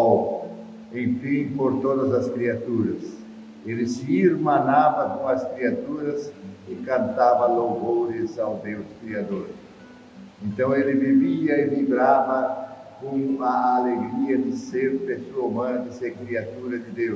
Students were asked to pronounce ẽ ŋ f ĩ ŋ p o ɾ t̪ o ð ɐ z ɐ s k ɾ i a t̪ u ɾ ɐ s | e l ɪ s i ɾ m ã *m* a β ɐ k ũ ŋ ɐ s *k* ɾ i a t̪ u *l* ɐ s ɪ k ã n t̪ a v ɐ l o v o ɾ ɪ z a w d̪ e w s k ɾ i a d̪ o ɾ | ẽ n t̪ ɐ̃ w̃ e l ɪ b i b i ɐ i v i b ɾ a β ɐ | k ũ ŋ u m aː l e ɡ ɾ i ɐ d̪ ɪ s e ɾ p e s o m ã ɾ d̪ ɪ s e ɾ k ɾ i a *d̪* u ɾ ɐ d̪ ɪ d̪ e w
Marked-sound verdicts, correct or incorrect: incorrect: n, correct, incorrect: ɾ, incorrect: t̪

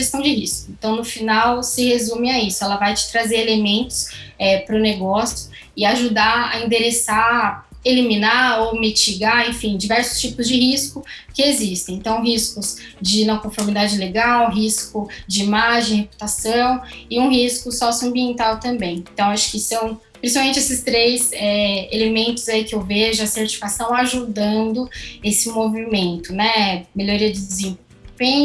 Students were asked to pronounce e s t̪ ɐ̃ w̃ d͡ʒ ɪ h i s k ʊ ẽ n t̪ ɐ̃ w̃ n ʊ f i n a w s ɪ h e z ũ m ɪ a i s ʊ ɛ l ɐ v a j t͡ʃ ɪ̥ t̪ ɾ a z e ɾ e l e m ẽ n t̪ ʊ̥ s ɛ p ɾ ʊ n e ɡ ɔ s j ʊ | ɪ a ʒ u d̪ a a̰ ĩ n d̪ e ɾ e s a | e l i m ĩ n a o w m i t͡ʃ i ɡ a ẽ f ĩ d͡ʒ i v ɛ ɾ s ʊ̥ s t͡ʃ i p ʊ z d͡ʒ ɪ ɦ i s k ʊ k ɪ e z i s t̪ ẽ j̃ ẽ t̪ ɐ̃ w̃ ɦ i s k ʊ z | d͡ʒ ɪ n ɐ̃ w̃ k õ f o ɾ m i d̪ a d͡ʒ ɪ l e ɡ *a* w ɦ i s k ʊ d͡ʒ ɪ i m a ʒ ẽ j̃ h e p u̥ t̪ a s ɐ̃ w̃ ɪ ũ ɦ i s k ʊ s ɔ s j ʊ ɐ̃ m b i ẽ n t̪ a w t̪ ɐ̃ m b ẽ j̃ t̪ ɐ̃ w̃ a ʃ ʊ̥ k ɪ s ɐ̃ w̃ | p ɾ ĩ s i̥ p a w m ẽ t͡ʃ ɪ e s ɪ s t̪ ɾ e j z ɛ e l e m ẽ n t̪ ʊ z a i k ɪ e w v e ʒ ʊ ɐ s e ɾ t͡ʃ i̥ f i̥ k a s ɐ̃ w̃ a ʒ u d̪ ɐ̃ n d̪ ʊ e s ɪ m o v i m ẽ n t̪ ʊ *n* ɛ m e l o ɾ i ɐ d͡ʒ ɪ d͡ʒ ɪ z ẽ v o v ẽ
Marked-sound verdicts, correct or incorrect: correct, correct

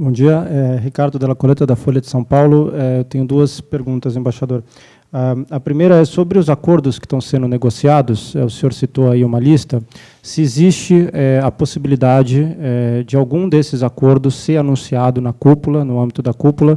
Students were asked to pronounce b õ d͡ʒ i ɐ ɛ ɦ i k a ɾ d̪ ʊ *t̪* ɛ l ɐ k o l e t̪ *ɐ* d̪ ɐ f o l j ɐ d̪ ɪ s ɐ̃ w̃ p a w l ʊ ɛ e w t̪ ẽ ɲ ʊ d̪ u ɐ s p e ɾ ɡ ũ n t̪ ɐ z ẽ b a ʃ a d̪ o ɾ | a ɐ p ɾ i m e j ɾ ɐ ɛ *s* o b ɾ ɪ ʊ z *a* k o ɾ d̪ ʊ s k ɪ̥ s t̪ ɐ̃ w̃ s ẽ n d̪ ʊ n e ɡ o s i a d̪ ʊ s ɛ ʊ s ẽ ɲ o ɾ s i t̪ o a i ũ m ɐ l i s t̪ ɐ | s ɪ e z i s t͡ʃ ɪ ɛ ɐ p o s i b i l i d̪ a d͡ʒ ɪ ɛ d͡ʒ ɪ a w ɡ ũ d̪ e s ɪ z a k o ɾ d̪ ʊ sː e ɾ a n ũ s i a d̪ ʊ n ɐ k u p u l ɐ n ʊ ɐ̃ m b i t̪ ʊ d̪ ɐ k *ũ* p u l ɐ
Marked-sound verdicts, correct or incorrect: incorrect: d̪, correct, correct, correct, incorrect: u

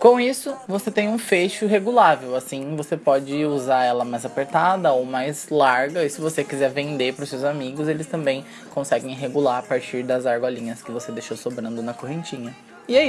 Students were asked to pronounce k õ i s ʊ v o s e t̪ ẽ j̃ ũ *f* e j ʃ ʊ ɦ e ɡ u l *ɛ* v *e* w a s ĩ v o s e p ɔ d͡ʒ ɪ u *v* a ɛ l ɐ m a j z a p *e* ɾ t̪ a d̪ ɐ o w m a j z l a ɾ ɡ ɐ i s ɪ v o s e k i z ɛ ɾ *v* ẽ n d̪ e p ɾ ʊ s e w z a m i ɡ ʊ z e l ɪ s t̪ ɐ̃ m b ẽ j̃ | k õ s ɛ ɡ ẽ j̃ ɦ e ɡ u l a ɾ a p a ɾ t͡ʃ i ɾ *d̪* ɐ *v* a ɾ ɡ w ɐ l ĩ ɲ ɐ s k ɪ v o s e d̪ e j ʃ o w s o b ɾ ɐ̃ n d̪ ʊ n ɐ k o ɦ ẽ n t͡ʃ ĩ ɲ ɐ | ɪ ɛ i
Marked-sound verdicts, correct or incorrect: correct, incorrect: a, correct, incorrect: z, correct, correct, correct, incorrect: z

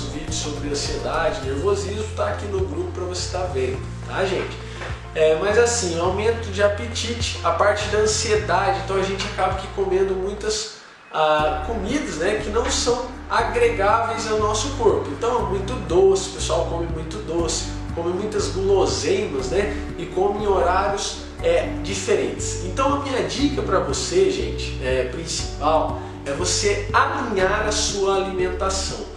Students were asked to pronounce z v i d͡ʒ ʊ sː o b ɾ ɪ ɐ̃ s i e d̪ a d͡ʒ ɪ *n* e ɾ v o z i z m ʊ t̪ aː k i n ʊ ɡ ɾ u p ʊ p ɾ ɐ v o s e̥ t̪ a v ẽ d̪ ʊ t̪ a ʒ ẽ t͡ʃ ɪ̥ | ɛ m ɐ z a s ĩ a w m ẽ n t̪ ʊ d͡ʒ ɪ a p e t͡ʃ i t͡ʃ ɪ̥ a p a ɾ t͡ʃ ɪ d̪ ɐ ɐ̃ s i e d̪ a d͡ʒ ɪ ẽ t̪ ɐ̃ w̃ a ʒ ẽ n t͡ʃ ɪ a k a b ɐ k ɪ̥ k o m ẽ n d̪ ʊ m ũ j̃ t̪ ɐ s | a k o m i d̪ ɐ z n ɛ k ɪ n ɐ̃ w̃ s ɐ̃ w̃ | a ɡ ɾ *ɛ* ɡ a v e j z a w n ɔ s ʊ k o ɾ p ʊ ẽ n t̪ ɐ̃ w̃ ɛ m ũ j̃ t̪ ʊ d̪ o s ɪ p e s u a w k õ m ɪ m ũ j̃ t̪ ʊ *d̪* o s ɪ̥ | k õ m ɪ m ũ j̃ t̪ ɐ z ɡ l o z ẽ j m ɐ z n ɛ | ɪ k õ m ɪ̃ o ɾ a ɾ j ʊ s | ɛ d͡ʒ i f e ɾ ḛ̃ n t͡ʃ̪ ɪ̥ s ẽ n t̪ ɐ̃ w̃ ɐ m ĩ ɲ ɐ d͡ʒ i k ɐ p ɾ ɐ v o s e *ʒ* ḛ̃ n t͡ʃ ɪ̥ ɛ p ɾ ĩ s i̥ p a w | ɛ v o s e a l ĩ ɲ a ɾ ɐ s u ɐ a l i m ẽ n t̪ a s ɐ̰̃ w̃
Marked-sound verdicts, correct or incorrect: correct, incorrect: e, correct, correct

